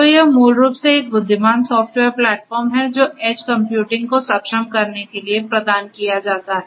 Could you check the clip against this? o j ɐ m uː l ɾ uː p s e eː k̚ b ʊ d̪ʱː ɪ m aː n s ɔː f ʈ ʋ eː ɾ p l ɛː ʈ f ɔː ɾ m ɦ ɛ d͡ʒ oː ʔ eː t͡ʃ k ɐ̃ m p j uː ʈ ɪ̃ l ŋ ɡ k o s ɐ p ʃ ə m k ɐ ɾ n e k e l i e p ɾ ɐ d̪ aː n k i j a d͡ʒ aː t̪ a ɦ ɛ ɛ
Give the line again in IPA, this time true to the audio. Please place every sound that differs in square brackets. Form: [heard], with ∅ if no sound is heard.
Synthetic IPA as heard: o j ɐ m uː l ɾ uː p s e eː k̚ b ʊ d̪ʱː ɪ m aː n s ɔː f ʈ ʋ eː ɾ p l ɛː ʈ f ɔː ɾ m ɦ ɛ d͡ʒ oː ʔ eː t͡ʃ k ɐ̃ m p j uː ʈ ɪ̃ [∅] ŋ ɡ k o s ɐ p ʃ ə m k ɐ ɾ n e k e l i e p ɾ ɐ d̪ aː n k i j a d͡ʒ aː t̪ a ɦ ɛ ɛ

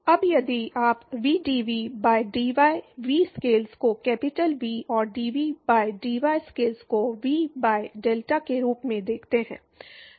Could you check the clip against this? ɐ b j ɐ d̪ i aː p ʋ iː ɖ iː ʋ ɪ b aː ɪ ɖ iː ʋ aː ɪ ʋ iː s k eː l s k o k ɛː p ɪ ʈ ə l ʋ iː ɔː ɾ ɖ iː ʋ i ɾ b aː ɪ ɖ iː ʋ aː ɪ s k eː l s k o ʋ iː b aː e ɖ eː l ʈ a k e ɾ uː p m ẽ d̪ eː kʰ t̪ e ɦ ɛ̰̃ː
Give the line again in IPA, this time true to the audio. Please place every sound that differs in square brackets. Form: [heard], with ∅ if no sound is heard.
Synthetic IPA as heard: ɐ b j ɐ d̪ i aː p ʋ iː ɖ iː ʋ [i] b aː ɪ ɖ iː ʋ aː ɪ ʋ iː s k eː l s k o k ɛː p ɪ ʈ ə l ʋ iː ɔː ɾ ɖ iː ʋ i [∅] b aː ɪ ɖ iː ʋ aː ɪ s k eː l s k o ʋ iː b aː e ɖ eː l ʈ a k e ɾ uː p m ẽ d̪ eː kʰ t̪ e ɦ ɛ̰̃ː

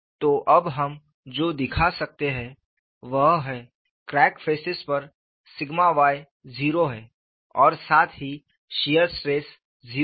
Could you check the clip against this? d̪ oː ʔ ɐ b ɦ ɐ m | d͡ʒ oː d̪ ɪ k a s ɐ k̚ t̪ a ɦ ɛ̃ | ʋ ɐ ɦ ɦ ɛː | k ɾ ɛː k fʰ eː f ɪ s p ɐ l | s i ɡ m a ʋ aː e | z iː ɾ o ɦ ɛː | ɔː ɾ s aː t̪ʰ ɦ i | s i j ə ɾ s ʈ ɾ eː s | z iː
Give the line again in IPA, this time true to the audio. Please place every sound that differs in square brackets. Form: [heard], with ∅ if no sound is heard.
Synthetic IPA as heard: [t̪] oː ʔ ɐ b ɦ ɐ m | d͡ʒ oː d̪ ɪ [kʰ] a s ɐ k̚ t̪ [e] ɦ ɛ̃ | ʋ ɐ ɦ ɦ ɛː | k ɾ ɛː k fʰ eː [s] ɪ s p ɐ [ɾ] | s [ɪ] ɡ m a ʋ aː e | z iː ɾ o ɦ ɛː | ɔː ɾ s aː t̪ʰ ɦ i | [ʃ] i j ə ɾ s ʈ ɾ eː s | z iː

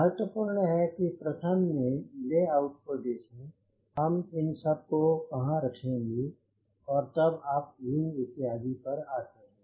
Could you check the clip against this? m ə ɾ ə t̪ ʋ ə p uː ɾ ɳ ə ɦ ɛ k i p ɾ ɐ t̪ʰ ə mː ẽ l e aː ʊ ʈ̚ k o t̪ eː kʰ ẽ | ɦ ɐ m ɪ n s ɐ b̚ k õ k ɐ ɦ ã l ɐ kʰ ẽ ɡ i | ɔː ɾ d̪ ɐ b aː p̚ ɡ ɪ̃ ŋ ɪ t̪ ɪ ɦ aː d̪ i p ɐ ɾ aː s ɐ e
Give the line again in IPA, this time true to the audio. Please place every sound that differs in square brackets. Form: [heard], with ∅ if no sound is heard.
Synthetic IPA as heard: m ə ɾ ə t̪ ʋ ə p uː ɾ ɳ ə ɦ ɛ k i p ɾ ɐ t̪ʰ ə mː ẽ l e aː ʊ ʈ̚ k o [d̪] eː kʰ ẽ | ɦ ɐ m ɪ n s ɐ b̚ k [o] k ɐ ɦ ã [ɾ] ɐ kʰ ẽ ɡ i | ɔː ɾ [t̪] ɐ b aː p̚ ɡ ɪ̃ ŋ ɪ t̪ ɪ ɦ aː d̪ i p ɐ ɾ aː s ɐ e

